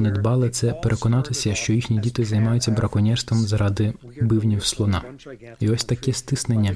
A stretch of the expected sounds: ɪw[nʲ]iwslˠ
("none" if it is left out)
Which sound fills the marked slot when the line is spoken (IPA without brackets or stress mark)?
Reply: nʲ